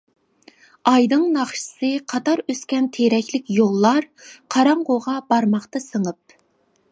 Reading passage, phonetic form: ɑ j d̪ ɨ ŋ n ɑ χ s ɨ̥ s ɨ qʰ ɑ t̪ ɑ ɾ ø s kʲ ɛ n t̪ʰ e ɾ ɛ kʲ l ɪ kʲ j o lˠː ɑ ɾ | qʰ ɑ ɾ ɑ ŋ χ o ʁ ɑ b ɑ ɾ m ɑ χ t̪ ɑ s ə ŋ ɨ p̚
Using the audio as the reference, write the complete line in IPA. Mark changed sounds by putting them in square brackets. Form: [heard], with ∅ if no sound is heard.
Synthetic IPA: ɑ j d̪ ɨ ŋ n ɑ χ [ʃ] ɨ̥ s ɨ qʰ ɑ t̪ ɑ ɾ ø s kʲ ɛ n t̪ʰ e ɾ ɛ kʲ l ɪ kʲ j o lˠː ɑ ɾ | qʰ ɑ ɾ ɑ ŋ [ʁ] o ʁ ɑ b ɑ ɾ m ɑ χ t̪ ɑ s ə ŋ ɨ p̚